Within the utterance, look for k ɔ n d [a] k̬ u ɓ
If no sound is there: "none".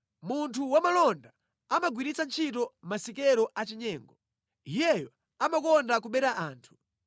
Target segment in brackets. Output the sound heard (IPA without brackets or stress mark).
a